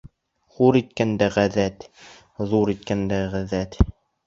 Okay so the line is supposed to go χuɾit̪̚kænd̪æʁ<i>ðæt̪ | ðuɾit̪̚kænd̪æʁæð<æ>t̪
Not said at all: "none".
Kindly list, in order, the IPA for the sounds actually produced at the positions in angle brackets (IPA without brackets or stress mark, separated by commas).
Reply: æ, æ